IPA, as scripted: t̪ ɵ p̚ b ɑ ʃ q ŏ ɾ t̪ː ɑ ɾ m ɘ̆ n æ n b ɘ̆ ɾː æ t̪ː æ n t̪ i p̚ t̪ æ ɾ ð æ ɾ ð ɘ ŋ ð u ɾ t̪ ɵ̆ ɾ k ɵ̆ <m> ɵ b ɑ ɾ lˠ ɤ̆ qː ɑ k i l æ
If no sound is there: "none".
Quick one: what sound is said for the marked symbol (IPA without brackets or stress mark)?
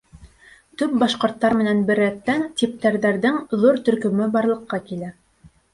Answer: m